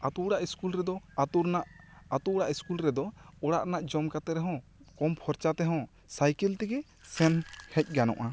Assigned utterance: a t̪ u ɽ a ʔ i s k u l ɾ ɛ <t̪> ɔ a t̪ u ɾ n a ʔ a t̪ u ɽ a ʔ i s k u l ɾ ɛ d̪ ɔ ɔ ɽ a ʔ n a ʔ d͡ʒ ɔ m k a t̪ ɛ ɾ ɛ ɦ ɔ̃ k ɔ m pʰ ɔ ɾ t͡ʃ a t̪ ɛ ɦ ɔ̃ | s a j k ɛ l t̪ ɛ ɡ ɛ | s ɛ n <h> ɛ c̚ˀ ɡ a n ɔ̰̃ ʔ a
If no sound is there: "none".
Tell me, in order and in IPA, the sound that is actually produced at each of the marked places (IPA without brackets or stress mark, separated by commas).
d̪, h